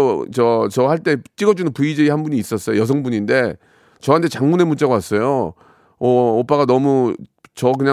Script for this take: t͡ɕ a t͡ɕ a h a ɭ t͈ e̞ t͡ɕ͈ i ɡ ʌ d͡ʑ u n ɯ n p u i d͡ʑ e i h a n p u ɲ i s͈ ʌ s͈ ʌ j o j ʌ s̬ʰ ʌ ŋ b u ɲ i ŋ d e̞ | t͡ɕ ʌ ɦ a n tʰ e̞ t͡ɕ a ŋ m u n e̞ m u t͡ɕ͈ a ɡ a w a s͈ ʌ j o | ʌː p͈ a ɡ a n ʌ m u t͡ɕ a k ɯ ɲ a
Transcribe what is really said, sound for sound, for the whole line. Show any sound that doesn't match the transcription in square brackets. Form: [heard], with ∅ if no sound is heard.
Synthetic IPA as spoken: t͡ɕ [ʌ] t͡ɕ [ʌ] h a ɭ t͈ e̞ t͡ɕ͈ i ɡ ʌ d͡ʑ u n ɯ n p u i d͡ʑ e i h a n [b] u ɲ [iː] s͈ ʌ s͈ ʌ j o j ʌ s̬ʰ ʌ ŋ b u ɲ i [n] d e̞ | t͡ɕ ʌ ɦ a n tʰ e̞ t͡ɕ a ŋ m u n e̞ m u t͡ɕ͈ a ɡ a w a s͈ ʌ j o | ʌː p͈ a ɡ a n ʌ m u t͡ɕ [ʌ] k ɯ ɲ a